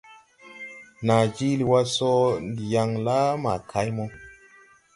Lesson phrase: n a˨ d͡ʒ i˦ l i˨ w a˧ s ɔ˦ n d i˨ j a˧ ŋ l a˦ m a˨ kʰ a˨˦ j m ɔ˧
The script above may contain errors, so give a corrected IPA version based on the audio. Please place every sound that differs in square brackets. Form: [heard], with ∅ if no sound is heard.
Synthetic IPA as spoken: n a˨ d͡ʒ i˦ l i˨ w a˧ s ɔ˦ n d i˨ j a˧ ŋ l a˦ m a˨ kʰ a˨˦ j m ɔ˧